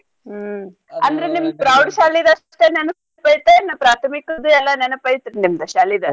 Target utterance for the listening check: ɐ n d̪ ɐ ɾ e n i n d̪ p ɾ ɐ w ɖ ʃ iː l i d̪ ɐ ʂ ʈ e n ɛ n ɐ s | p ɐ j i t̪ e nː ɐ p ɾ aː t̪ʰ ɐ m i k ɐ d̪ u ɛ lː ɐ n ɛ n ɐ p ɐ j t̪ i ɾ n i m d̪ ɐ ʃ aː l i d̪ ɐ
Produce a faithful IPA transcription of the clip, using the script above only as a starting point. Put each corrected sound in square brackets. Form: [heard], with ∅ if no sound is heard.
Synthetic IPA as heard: ɐ n d̪ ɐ ɾ e n i [m] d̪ p ɾ ɐ w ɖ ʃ [aː] l i d̪ ɐ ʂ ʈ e n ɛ n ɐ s | p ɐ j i t̪ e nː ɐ p ɾ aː t̪ʰ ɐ m i k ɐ d̪ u ɛ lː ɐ n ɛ n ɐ p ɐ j t̪ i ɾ n i m d̪ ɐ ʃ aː l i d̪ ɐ